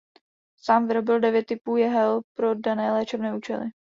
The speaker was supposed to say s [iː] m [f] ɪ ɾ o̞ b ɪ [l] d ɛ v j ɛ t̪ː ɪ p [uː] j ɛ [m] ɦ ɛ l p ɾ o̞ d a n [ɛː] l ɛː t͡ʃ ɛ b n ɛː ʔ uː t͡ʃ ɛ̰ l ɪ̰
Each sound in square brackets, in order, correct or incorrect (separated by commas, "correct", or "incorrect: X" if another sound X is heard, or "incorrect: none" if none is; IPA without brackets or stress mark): incorrect: aː, incorrect: v, correct, correct, incorrect: none, correct